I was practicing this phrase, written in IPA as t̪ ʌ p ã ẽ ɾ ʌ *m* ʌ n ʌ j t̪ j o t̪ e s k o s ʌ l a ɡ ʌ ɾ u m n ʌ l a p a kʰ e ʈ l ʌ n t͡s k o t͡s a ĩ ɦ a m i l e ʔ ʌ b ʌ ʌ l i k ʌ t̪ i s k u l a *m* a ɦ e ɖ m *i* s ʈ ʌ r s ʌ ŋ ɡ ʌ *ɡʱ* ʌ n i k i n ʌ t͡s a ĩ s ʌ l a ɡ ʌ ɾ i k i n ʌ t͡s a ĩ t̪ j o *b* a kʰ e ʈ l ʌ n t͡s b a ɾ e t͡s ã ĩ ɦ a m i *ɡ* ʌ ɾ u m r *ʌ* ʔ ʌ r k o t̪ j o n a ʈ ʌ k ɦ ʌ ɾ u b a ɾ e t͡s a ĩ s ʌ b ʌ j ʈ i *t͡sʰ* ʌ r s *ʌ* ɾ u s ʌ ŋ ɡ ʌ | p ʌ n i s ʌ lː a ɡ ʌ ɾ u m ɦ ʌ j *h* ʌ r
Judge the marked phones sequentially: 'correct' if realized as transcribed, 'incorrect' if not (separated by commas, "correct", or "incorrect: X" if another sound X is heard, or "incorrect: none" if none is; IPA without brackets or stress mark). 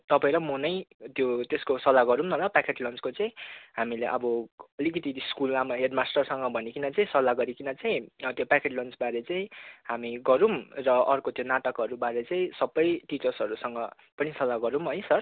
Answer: correct, correct, incorrect: a, incorrect: bʱ, incorrect: p, correct, correct, incorrect: t͡s, correct, incorrect: s